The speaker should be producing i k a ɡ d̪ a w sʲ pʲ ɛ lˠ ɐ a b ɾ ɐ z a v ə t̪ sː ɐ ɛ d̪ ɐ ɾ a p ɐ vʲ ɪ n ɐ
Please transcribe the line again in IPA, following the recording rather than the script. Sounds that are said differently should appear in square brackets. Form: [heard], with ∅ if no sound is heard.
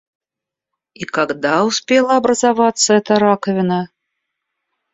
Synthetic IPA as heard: i k a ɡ d̪ a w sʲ pʲ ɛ lˠ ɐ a b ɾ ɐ z a v [a] t̪ sː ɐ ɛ [t̪] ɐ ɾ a [k] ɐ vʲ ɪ n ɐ

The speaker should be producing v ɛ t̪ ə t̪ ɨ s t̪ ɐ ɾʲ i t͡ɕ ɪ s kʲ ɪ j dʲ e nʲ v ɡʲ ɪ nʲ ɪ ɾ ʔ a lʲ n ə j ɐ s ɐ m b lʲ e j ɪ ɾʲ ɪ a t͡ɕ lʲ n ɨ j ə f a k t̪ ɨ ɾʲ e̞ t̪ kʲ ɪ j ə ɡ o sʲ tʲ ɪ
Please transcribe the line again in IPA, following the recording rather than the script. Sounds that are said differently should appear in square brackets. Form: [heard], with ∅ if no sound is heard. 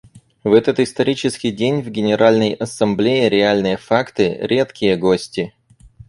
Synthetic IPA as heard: v ɛ t̪ ə t̪ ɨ s t̪ ɐ ɾʲ i t͡ɕ ɪ s kʲ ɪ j dʲ e nʲ v ɡʲ ɪ nʲ ɪ ɾ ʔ a lʲ n ə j ɐ s ɐ m b lʲ e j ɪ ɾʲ ɪ a [∅] lʲ n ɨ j ə f a k t̪ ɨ ɾʲ e̞ t̪ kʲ ɪ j ə ɡ o sʲ tʲ ɪ

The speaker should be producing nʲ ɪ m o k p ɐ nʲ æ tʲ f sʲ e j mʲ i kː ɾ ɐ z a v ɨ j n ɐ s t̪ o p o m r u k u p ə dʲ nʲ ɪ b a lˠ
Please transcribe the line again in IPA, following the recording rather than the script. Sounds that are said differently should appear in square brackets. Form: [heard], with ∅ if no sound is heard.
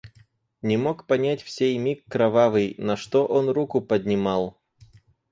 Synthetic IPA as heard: nʲ ɪ m o k p ɐ nʲ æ tʲ f sʲ e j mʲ i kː ɾ ɐ [v] a v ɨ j n ɐ [ʂ] t̪ o [ʔ] o [n] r u k [ʊ] p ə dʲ nʲ ɪ [m] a lˠ

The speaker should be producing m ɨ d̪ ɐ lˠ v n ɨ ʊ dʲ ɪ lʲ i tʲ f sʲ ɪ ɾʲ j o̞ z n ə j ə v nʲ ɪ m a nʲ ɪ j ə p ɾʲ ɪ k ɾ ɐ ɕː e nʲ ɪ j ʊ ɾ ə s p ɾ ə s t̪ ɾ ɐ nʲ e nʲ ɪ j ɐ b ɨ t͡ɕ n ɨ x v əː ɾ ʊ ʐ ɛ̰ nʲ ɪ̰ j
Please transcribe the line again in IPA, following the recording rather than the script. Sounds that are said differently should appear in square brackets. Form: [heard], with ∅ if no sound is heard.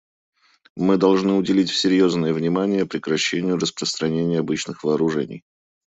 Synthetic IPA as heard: m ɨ d̪ ɐ lˠ [ʐ] n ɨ ʊ dʲ ɪ lʲ i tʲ f sʲ ɪ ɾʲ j o̞ z n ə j ə v nʲ ɪ m a nʲ ɪ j ə p ɾʲ ɪ k ɾ ɐ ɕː e nʲ ɪ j ʊ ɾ ə s p ɾ ə s t̪ ɾ ɐ nʲ e nʲ ɪ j ɐ b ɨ t͡ɕ n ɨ x v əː ɾ ʊ ʐ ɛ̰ nʲ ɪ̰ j

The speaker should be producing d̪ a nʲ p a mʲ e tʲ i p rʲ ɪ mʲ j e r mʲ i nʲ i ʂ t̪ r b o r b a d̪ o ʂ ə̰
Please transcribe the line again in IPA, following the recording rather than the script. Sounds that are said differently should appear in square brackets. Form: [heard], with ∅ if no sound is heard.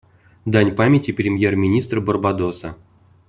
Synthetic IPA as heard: d̪ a nʲ p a mʲ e tʲ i p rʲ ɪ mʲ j e r mʲ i nʲ i [s] t̪ r b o r b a d̪ o [s] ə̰

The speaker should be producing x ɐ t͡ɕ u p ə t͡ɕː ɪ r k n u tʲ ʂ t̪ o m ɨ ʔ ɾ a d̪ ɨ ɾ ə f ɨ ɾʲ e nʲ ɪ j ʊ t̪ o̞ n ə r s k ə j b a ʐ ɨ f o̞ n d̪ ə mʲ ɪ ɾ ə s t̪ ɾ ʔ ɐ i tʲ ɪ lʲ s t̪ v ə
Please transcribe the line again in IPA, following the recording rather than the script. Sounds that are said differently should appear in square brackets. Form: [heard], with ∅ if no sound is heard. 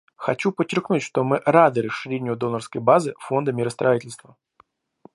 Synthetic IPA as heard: x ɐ t͡ɕ u p ə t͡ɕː ɪ r k n u tʲ ʂ t̪ o m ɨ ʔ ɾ a d̪ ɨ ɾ ə [ʂ] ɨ ɾʲ e nʲ ɪ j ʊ [d̪] o̞ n ə r s k ə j b a [z] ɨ f o̞ n d̪ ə mʲ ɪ ɾ ə s t̪ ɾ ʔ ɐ i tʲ ɪ lʲ s t̪ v ə

